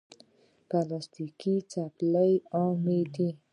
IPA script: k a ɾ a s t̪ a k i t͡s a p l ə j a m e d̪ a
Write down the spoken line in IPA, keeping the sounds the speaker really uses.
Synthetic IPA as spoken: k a l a s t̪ i k i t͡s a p l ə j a m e d̪ i